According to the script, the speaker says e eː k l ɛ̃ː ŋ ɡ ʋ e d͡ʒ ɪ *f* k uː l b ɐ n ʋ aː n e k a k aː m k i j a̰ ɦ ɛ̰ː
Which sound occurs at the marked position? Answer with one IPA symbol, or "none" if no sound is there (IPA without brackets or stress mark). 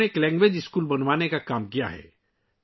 s